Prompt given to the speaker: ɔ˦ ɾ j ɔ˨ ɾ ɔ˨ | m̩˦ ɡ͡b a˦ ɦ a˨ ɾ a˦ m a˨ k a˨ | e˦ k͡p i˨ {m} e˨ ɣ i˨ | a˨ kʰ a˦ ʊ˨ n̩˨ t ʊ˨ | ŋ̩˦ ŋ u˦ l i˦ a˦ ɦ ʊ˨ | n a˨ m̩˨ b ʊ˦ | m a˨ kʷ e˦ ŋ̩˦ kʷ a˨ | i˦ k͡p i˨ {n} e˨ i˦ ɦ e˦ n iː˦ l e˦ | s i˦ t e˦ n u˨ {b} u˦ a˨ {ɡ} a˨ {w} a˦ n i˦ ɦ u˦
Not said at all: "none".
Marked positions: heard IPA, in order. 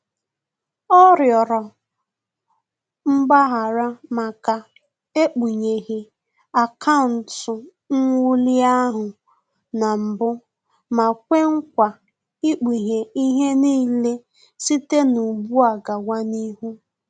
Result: ɲ, ɲ, b, ɡ, w

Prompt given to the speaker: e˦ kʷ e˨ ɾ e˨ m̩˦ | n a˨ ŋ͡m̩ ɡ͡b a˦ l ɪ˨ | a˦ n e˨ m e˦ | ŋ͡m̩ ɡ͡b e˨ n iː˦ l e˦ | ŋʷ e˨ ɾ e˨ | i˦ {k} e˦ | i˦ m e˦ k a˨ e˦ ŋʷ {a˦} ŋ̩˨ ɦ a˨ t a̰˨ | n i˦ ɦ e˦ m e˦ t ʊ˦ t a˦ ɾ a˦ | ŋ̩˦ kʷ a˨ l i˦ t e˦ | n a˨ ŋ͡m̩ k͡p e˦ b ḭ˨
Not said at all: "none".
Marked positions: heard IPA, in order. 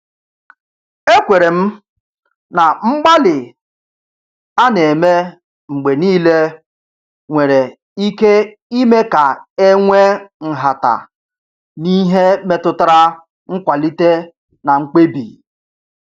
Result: k, e˦

